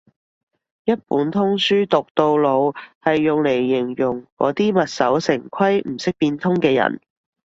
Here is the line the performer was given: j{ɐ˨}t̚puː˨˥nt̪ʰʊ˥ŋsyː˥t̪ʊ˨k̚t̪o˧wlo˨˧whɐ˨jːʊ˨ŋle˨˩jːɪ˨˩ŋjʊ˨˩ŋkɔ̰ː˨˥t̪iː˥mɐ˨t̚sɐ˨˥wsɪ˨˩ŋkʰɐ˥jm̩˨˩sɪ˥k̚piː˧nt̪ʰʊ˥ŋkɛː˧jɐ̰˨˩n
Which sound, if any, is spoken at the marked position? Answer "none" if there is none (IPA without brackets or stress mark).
ɐ˥